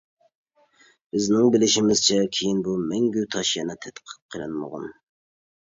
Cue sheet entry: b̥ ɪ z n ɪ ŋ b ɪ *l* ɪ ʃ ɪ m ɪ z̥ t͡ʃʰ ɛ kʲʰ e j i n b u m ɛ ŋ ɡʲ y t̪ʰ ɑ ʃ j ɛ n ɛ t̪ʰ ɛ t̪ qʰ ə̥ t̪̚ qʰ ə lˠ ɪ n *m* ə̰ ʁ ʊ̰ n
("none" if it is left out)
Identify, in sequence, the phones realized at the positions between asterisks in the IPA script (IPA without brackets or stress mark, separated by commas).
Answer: l, m